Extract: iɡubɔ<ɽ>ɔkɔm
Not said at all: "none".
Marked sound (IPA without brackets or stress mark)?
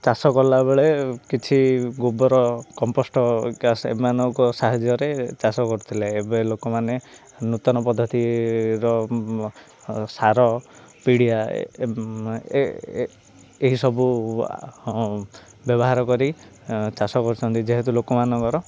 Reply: ɾ